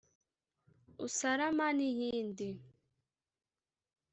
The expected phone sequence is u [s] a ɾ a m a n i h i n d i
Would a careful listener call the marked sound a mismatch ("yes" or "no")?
no